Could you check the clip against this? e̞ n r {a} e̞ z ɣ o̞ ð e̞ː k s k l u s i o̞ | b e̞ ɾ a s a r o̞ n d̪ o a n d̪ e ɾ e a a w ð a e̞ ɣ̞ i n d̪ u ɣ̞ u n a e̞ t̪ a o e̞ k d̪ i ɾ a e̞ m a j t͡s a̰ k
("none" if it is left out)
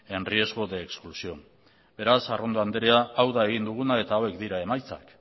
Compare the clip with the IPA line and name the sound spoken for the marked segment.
i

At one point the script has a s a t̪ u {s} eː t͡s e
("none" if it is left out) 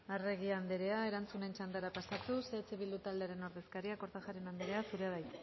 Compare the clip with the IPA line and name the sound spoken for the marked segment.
s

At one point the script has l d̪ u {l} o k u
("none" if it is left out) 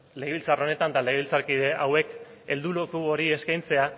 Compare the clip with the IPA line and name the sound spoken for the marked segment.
l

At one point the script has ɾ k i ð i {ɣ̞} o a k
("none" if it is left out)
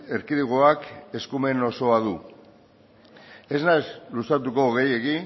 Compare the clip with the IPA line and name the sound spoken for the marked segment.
ɣ̞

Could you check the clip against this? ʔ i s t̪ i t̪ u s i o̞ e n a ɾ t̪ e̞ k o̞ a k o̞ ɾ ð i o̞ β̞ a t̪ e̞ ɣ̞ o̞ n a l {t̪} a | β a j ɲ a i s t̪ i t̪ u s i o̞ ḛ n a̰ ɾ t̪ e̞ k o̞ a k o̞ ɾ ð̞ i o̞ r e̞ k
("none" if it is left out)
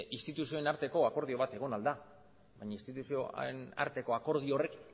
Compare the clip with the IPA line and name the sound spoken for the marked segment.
d̪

